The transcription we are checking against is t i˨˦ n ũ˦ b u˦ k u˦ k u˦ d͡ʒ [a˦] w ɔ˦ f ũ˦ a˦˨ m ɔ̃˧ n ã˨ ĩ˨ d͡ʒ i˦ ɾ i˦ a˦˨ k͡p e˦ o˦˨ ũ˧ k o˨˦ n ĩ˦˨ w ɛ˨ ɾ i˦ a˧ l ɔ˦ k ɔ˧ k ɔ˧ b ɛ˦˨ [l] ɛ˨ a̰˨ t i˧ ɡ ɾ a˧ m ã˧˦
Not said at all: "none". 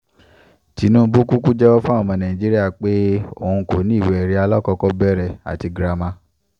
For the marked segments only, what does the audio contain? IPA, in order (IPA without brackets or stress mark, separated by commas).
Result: ɛ˦, ɾ